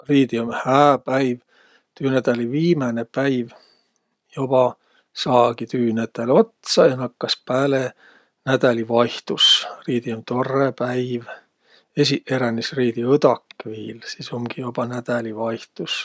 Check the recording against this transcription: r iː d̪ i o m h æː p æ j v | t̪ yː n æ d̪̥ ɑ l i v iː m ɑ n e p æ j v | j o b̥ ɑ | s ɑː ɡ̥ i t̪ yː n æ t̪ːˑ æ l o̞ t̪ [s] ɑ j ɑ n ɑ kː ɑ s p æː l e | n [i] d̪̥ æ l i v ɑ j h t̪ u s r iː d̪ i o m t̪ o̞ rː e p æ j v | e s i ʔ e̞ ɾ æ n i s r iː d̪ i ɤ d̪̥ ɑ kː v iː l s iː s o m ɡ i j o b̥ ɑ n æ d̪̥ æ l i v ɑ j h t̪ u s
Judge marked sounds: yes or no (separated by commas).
yes, no